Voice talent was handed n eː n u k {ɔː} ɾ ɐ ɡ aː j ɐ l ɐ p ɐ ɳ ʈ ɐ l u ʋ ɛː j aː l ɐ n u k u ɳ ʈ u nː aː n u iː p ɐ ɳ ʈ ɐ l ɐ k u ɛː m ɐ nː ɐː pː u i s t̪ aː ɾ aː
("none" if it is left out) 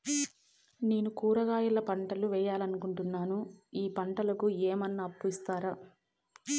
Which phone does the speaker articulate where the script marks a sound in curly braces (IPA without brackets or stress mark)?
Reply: uː